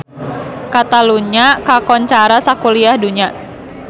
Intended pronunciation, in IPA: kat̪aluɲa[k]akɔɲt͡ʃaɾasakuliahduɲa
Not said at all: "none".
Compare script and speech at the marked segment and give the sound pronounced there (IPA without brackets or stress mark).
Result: k